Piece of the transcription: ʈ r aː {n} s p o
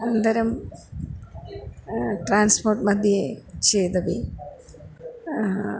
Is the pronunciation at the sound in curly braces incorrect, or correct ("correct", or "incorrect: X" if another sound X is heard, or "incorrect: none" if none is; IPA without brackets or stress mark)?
correct